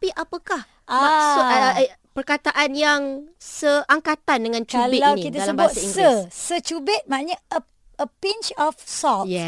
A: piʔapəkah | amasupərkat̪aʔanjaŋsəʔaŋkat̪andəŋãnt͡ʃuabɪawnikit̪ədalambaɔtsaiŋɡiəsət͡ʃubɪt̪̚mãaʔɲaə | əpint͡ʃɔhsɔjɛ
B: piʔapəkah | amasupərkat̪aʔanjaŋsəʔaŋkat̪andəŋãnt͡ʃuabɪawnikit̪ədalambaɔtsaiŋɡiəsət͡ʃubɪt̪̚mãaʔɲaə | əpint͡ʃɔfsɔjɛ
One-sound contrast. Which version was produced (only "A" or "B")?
B